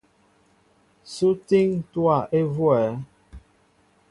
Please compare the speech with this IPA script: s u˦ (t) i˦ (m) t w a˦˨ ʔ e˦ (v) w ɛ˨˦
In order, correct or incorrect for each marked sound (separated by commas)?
correct, incorrect, correct